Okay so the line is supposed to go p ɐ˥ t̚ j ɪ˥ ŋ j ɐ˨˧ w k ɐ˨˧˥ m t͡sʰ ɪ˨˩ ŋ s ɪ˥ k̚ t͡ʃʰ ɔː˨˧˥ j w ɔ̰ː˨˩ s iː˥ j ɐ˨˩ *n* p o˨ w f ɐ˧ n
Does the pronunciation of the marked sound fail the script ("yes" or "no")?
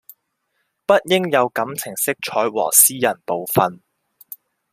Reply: no